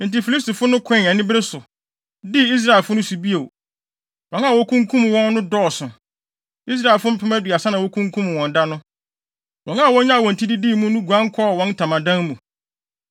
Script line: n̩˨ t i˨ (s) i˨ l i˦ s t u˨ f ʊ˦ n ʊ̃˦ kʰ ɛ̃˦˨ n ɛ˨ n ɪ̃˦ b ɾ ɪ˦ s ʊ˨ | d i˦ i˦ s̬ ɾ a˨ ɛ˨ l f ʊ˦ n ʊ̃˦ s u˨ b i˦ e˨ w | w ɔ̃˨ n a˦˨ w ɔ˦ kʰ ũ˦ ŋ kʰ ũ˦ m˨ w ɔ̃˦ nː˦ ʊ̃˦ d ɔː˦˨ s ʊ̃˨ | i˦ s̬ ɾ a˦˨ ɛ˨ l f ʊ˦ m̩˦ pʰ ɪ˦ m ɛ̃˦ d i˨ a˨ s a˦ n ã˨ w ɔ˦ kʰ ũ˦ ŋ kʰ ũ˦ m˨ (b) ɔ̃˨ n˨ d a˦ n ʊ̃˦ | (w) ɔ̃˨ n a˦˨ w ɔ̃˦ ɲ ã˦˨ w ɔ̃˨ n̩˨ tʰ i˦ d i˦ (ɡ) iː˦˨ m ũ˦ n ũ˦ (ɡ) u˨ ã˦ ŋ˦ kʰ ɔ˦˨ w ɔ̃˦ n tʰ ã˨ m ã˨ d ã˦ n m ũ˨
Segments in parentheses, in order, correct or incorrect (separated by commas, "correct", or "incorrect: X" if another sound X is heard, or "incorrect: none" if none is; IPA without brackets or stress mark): incorrect: f, incorrect: w, correct, incorrect: d, correct